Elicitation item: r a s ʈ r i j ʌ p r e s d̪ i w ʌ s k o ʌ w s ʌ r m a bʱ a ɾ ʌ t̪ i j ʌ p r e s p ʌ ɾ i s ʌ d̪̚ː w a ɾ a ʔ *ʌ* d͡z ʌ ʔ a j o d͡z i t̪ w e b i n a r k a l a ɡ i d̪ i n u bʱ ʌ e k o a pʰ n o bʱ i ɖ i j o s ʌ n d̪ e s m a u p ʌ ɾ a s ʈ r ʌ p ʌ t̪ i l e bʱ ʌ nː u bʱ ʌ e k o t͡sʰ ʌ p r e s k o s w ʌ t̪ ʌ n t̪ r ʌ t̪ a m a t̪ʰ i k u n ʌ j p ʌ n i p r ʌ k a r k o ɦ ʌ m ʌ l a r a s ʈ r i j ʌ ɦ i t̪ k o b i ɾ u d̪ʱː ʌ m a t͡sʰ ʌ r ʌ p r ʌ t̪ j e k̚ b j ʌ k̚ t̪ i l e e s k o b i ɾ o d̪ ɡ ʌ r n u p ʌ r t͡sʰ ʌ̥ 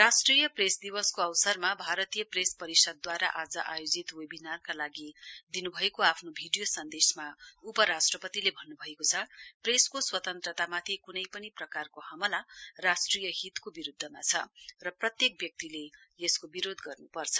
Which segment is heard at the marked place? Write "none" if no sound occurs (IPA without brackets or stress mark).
a